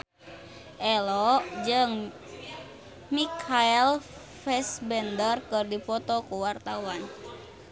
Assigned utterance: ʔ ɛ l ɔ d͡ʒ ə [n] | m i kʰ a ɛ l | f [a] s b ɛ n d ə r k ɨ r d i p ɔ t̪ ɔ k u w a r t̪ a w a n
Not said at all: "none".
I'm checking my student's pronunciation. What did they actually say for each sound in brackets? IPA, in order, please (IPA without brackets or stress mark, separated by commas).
ŋ, ɛ